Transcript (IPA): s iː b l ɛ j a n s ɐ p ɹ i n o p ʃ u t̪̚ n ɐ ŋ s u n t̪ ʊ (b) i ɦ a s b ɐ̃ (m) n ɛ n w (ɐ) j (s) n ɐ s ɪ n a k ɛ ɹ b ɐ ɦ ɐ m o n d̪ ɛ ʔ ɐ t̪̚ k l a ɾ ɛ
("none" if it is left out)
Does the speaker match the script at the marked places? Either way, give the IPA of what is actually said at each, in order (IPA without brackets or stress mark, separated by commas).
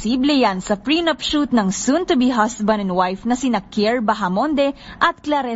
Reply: b, none, a, f